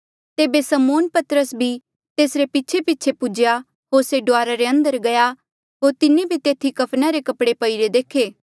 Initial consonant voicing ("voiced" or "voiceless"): voiceless